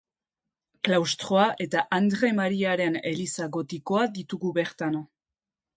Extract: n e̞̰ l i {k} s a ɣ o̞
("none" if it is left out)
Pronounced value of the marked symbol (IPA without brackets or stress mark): none